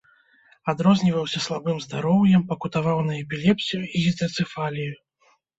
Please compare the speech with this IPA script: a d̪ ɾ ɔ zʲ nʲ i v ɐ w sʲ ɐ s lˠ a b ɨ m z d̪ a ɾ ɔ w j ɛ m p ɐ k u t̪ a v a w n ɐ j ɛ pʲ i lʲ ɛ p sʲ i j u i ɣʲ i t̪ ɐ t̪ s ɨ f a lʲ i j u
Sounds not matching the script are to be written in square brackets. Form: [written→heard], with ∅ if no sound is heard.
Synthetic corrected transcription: a d̪ ɾ ɔ zʲ nʲ i v ɐ w sʲ ɐ s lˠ a b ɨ m z d̪ a ɾ ɔ w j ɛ m p ɐ k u t̪ a v a w n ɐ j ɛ pʲ i lʲ ɛ p sʲ i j u i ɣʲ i t̪ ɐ t̪ s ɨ f a lʲ i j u

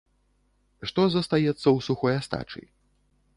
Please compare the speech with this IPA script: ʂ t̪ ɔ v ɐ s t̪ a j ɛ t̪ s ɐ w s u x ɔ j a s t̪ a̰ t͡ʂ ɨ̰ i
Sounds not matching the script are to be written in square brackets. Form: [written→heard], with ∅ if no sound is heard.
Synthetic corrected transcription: ʂ t̪ ɔ [v→z] ɐ s t̪ a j ɛ t̪ [s→sː] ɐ w s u x ɔ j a s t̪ a̰ t͡ʂ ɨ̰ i

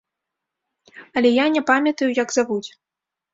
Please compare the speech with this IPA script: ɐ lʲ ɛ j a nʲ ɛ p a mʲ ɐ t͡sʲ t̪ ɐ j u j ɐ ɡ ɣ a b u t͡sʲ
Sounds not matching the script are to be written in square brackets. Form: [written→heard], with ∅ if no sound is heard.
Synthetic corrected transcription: ɐ lʲ ɛ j a nʲ ɛ p a mʲ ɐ [t͡sʲ→∅] t̪ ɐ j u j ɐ ɡ [ɣ→z] a [b→v] u t͡sʲ

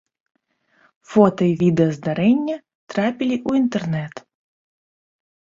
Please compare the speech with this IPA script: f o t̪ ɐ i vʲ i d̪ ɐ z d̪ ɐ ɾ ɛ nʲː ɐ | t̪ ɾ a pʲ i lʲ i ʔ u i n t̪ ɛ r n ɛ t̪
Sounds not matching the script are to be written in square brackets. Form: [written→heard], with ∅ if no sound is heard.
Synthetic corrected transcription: f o t̪ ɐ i vʲ i d̪ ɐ z d̪ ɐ ɾ ɛ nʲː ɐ | t̪ ɾ a pʲ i lʲ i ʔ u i n t̪ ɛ r n ɛ t̪

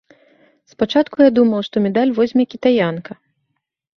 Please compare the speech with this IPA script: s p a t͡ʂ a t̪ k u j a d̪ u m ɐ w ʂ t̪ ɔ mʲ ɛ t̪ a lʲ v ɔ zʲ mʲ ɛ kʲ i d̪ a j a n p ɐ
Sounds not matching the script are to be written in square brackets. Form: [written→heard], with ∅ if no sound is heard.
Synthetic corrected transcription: s p a t͡ʂ a t̪ k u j a d̪ u m ɐ w ʂ t̪ ɔ mʲ ɛ [t̪→d̪] a lʲ v ɔ zʲ mʲ ɛ kʲ i [d̪→t̪] a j a n [p→k] ɐ

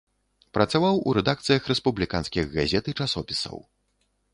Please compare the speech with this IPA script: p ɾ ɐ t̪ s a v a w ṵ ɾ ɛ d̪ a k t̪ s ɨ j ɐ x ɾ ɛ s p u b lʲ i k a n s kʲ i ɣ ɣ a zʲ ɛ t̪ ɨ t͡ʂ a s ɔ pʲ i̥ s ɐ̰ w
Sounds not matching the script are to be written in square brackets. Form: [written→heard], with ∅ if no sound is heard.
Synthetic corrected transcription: p ɾ ɐ t̪ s a v a w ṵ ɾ ɛ d̪ a k t̪ s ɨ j ɐ x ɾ ɛ s p u b lʲ i k a n s kʲ i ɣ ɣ a zʲ ɛ t̪ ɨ t͡ʂ a s ɔ pʲ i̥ s ɐ̰ w

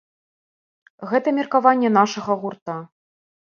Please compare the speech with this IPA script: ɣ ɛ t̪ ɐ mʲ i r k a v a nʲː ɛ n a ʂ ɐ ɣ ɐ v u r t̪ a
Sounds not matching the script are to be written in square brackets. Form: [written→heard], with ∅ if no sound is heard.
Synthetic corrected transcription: ɣ ɛ t̪ ɐ mʲ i r k a v a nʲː ɛ n a ʂ ɐ ɣ ɐ [v→ɣ] u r t̪ a

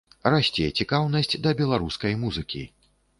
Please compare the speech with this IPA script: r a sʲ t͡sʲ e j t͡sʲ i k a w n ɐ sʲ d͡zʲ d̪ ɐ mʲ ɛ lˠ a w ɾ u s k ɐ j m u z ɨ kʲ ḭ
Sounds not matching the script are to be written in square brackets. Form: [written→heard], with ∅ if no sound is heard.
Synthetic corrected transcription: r a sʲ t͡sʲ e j t͡sʲ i k a w n ɐ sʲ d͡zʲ d̪ ɐ [mʲ→bʲ] ɛ lˠ a [w→∅] ɾ u s k ɐ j m u z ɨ kʲ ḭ

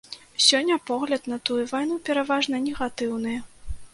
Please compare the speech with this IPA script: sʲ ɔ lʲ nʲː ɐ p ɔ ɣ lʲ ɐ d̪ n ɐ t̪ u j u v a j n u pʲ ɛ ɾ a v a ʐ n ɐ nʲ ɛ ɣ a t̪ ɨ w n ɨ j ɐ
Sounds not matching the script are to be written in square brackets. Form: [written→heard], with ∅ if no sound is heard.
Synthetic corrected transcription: sʲ ɔ [lʲ→∅] nʲː ɐ p ɔ ɣ lʲ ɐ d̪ n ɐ t̪ u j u v a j n u pʲ ɛ ɾ a v a ʐ n ɐ nʲ ɛ ɣ a t̪ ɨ w n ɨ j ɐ

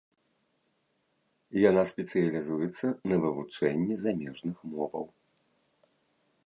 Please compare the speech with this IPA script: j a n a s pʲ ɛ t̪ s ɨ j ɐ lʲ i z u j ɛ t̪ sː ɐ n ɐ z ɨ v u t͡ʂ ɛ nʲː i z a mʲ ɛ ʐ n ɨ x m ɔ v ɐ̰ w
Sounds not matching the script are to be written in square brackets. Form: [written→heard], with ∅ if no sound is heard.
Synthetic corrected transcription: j a n a s pʲ ɛ t̪ s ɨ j ɐ lʲ i z u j ɛ t̪ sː ɐ n ɐ [z→v] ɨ v u t͡ʂ ɛ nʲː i z a mʲ ɛ ʐ n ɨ x m ɔ v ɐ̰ w

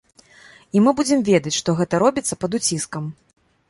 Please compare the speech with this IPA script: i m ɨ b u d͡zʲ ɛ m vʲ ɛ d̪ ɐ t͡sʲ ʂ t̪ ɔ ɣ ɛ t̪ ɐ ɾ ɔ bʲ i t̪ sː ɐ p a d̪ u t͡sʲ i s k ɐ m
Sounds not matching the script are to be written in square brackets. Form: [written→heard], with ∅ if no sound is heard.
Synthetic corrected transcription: i m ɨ b u d͡zʲ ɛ m vʲ ɛ d̪ ɐ t͡sʲ ʂ t̪ ɔ ɣ ɛ t̪ ɐ ɾ ɔ bʲ i t̪ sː ɐ p [a→ɐ] d̪ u t͡sʲ i s k ɐ m

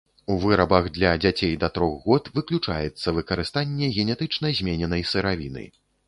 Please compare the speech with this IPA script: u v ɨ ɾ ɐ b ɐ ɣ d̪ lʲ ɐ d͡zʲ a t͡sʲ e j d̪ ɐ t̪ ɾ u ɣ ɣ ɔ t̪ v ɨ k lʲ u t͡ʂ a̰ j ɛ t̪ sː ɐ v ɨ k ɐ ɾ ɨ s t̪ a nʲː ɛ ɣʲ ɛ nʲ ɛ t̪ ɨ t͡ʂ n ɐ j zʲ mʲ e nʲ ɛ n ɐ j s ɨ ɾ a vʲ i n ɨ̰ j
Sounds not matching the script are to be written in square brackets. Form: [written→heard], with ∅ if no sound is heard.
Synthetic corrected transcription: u v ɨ ɾ ɐ b ɐ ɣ d̪ lʲ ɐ d͡zʲ a t͡sʲ e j d̪ ɐ t̪ ɾ [u→ɔ] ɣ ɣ ɔ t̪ v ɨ k lʲ u t͡ʂ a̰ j ɛ t̪ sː ɐ v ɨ k ɐ ɾ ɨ s t̪ a nʲː ɛ ɣʲ ɛ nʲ ɛ t̪ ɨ t͡ʂ n ɐ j zʲ mʲ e nʲ ɛ n ɐ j s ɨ ɾ a vʲ i n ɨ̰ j

